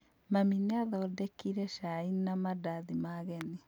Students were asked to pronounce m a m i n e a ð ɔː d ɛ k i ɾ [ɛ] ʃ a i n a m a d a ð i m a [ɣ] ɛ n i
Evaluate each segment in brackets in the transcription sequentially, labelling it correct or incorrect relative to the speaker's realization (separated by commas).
correct, correct